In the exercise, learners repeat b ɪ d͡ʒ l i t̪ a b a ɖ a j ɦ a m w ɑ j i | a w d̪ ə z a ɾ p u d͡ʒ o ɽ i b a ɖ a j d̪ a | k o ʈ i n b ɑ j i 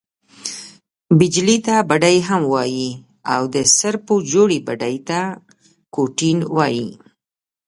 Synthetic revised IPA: b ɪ d͡ʒ l i t̪ a b a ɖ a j ɦ a m w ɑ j i | a w d̪ ə s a ɾ p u d͡ʒ o ɽ i b a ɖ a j t̪ a | k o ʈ i n w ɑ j i